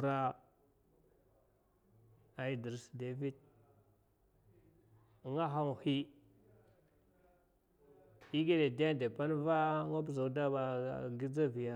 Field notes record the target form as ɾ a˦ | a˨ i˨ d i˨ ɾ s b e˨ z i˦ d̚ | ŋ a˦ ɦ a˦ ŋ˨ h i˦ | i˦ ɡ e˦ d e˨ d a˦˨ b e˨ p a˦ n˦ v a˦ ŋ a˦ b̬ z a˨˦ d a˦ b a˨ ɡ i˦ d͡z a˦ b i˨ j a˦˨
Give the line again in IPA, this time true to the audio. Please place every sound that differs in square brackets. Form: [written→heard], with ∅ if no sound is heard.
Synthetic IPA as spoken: ɾ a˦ | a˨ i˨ d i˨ ɾ s [b→d] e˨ [z→v] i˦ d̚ | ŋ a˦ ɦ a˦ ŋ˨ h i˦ | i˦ ɡ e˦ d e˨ d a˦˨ [b→d] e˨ p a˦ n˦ v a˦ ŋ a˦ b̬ z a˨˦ d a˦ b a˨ ɡ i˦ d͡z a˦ [b→v] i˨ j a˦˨